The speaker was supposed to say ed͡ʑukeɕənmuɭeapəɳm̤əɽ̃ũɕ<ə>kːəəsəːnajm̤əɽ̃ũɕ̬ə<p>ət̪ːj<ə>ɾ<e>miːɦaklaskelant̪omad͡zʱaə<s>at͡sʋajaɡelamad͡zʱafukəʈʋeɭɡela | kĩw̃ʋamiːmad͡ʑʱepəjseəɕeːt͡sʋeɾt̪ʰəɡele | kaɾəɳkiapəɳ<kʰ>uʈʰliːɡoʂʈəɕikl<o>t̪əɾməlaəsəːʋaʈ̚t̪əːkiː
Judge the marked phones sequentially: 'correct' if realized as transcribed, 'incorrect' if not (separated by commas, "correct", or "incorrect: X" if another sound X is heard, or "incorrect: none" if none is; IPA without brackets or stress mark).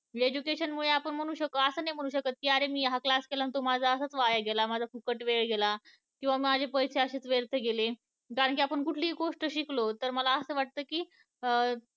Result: correct, incorrect: k, incorrect: a, correct, correct, incorrect: k, correct